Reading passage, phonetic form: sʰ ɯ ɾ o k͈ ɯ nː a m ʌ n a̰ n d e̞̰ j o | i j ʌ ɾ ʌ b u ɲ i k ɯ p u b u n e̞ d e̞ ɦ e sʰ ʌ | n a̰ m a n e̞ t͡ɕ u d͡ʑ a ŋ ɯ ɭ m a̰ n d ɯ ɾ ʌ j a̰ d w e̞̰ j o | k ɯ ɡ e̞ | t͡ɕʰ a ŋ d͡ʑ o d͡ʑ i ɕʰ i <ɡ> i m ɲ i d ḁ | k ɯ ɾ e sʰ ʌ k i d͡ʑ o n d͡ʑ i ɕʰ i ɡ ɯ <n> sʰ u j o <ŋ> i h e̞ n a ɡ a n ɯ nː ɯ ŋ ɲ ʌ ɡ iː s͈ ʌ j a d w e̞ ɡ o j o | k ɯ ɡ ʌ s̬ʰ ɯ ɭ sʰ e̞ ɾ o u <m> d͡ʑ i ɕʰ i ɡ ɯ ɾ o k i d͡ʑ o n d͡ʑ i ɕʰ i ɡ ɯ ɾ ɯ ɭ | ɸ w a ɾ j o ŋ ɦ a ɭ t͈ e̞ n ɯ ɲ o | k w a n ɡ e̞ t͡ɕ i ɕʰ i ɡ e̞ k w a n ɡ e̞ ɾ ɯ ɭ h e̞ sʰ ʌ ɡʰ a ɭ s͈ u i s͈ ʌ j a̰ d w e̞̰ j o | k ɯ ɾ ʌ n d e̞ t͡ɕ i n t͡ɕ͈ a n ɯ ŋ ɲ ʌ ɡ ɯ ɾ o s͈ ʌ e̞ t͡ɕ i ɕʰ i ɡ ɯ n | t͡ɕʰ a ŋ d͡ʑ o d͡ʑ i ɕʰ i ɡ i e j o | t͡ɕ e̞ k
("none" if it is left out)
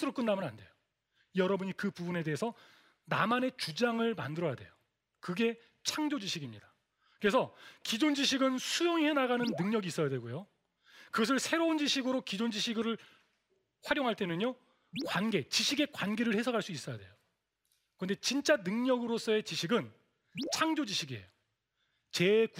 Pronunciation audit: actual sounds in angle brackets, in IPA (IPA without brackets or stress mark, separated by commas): ɡ, n, ŋ, n